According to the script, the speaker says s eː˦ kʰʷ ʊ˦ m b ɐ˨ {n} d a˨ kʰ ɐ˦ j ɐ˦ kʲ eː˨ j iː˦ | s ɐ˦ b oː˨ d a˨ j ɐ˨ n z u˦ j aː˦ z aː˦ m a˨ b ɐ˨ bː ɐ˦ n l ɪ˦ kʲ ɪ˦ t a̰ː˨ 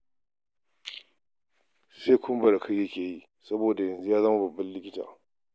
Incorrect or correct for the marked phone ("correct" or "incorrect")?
incorrect